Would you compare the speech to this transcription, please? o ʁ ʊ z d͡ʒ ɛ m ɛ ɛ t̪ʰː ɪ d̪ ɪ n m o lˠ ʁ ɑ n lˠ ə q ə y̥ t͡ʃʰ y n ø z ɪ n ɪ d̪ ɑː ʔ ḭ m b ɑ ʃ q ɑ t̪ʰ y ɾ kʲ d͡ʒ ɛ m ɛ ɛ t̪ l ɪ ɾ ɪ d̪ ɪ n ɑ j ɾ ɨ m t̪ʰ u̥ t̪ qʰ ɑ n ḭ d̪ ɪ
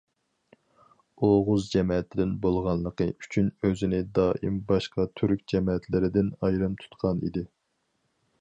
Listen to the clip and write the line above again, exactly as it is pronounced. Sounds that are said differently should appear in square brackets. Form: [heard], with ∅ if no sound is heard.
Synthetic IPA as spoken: o ʁ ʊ z d͡ʒ ɛ m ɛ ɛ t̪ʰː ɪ d̪ ɪ n [b] o lˠ ʁ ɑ n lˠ ə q ə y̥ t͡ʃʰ y n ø z ɪ n ɪ d̪ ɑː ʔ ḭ m b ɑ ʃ q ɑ t̪ʰ y ɾ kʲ d͡ʒ ɛ m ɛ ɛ t̪ l ɪ ɾ ɪ d̪ ɪ n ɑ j ɾ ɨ m t̪ʰ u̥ t̪ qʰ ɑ n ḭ d̪ ɪ